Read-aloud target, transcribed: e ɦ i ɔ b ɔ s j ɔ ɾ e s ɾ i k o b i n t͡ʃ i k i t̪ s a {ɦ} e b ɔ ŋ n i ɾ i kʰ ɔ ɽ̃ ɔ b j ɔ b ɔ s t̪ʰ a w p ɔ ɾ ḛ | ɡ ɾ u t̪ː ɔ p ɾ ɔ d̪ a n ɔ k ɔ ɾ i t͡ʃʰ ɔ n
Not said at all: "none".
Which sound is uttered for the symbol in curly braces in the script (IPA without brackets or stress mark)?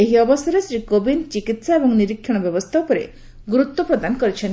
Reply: none